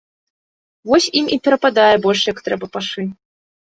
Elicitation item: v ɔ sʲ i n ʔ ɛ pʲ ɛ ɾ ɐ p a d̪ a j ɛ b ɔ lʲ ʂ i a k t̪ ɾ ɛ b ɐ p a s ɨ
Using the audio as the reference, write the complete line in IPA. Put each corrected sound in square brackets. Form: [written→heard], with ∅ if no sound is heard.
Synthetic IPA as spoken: v ɔ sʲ i [n→m] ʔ [ɛ→i] pʲ ɛ ɾ ɐ p a d̪ a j ɛ b ɔ lʲ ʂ [i→j] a k t̪ ɾ ɛ b ɐ p a [s→ʂ] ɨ